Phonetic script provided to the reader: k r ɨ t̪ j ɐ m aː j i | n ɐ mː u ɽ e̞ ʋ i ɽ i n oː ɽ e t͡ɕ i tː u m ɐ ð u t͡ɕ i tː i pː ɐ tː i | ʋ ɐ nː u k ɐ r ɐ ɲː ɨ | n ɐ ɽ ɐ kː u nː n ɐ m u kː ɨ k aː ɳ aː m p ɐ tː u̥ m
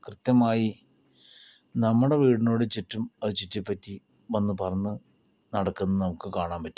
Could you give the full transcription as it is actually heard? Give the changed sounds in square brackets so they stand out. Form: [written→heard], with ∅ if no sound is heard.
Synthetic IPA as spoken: k r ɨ t̪ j ɐ m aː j i | n ɐ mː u ɽ e̞ ʋ [i→iː] ɽ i n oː ɽ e t͡ɕ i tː u m ɐ ð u t͡ɕ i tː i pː ɐ tː i | ʋ ɐ nː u [k→p] ɐ r ɐ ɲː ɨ | n ɐ ɽ ɐ kː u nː n ɐ m u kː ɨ k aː ɳ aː m p ɐ tː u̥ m